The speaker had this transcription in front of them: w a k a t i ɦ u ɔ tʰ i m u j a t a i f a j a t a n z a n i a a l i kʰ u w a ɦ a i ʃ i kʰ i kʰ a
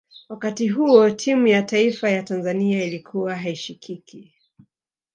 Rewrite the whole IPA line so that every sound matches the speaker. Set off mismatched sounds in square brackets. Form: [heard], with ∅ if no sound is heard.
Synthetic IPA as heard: w a k a t i ɦ u ɔ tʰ i m u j a t a i f a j a t a n z a n i a [i] l i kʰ u w a ɦ a i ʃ i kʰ i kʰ [i]